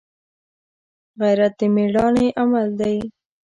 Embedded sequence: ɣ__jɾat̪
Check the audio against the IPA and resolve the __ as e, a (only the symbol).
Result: a